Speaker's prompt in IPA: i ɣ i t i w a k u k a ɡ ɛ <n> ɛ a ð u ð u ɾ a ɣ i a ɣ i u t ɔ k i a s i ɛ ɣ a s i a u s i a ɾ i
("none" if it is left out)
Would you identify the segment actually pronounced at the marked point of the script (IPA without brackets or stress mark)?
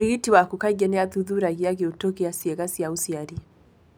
n